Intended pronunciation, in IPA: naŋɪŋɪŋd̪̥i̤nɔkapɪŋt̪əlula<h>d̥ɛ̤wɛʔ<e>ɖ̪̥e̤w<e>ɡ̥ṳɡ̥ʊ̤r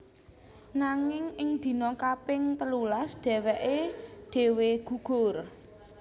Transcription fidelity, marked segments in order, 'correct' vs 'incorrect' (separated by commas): incorrect, correct, correct